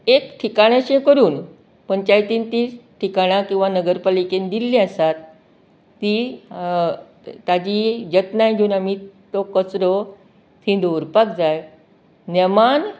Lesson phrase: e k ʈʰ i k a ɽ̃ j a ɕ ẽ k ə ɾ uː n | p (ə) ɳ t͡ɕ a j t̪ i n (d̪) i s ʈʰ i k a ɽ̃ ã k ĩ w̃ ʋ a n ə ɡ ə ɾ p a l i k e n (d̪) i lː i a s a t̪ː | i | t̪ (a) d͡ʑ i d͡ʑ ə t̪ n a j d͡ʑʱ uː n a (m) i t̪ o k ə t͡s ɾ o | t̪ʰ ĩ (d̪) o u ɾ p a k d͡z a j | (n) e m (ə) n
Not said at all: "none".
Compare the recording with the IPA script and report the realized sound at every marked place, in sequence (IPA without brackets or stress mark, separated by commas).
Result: ə, t̪, d̪, a, m, d̪, n, a